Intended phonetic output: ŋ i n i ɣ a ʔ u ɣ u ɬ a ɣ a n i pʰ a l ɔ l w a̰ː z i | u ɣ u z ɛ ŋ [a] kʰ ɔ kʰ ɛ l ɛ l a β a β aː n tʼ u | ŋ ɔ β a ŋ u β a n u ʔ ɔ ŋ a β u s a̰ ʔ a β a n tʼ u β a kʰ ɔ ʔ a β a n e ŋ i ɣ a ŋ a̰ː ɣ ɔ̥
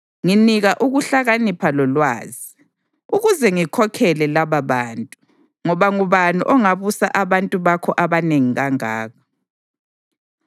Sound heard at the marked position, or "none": i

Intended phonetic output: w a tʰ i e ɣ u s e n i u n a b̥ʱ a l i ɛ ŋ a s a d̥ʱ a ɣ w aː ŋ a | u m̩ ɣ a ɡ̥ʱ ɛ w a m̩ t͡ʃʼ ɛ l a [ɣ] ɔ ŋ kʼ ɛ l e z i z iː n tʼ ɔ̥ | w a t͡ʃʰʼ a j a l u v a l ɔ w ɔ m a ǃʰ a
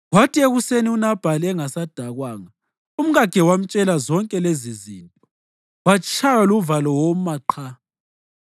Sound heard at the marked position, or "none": z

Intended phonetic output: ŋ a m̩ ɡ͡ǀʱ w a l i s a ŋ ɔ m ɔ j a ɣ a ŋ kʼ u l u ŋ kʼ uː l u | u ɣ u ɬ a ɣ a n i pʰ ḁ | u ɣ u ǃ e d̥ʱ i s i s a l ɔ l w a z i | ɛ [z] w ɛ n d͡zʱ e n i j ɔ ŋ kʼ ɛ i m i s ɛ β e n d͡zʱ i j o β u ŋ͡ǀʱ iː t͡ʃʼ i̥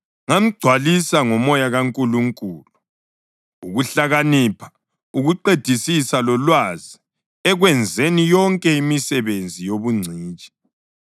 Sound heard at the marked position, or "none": ɣ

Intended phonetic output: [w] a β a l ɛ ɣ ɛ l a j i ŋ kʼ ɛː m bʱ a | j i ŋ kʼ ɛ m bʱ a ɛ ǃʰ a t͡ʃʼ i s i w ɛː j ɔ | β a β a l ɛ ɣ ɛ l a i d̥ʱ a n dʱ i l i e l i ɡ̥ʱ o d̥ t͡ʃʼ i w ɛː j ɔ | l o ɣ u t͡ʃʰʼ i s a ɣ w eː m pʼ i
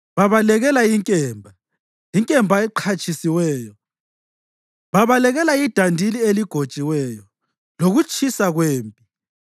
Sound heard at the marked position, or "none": β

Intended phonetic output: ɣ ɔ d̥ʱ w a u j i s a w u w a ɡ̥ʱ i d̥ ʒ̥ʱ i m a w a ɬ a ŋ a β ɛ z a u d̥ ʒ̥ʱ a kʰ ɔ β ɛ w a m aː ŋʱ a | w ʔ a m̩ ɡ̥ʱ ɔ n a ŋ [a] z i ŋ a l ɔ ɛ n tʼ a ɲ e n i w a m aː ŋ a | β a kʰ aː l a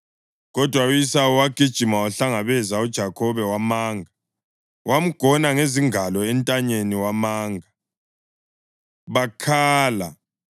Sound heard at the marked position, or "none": e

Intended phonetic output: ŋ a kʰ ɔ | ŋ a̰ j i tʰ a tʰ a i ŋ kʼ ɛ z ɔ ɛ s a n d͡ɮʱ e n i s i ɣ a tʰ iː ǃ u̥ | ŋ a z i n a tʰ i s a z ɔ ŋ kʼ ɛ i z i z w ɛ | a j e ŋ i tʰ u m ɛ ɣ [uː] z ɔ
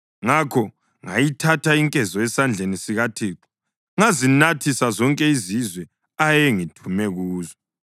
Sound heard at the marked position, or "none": uː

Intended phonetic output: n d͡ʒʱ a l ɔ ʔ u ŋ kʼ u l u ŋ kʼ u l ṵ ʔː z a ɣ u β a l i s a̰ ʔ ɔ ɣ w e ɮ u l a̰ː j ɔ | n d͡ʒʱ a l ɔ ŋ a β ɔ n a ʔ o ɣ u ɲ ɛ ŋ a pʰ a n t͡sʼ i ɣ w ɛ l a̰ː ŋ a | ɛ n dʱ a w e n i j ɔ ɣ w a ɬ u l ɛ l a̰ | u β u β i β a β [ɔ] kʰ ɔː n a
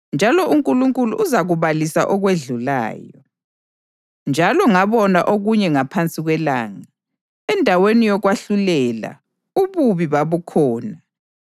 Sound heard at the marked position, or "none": u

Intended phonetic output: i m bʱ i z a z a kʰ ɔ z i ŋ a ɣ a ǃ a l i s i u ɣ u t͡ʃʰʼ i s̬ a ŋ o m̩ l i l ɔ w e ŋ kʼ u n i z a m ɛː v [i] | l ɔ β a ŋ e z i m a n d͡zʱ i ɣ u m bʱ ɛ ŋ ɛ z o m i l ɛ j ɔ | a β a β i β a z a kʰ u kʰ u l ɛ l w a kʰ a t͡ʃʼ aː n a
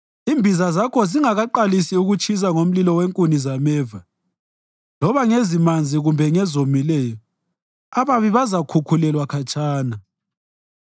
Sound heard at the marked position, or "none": a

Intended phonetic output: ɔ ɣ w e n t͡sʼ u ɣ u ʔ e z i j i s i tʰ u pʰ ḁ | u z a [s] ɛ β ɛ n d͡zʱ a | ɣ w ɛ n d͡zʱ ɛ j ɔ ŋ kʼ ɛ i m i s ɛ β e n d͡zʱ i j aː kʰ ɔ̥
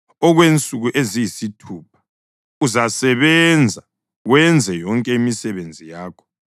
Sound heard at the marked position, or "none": s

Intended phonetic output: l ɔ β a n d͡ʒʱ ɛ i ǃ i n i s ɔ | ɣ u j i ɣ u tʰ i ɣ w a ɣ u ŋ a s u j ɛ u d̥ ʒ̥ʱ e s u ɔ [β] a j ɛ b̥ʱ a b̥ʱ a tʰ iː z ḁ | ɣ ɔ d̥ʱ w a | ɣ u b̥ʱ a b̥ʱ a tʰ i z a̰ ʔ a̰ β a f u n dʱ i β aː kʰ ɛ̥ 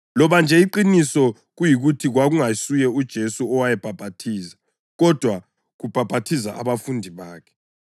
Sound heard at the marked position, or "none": w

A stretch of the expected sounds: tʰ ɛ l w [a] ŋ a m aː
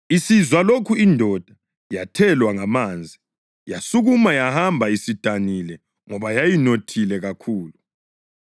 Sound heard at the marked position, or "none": a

